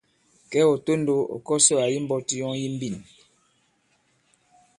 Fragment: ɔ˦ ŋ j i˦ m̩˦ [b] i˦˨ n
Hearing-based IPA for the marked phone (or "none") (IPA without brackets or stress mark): b